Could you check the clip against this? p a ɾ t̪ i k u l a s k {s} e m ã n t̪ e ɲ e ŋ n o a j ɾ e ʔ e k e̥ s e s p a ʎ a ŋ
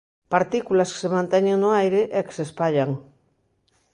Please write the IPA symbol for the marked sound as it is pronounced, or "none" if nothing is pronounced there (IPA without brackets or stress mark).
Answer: s